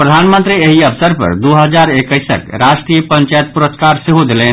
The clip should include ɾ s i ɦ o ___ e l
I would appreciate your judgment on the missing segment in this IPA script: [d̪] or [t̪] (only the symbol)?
d̪